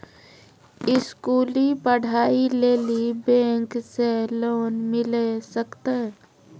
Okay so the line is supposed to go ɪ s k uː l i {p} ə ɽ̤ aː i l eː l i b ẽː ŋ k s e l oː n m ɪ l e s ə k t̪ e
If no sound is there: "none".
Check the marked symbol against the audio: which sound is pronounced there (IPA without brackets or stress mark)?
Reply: p